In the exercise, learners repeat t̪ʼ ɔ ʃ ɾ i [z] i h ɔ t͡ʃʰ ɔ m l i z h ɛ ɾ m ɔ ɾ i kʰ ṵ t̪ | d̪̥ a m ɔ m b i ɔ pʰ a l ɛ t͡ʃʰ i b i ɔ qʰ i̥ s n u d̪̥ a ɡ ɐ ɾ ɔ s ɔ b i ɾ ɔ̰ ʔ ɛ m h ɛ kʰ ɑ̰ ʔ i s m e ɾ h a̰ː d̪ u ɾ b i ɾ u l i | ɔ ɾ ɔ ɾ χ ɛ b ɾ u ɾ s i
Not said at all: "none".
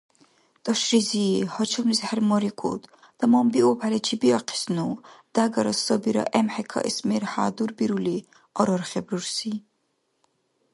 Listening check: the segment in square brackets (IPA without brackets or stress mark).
z